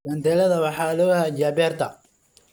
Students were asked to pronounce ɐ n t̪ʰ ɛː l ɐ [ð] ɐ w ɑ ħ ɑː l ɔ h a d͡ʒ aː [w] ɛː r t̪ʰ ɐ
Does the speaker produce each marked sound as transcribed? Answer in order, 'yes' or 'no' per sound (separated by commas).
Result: yes, no